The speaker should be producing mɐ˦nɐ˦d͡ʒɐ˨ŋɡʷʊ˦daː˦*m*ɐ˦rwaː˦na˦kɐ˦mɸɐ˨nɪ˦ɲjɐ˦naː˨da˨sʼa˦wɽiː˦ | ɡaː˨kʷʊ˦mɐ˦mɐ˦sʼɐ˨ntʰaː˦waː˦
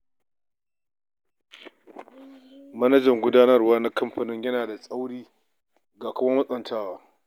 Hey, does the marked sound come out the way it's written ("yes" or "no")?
no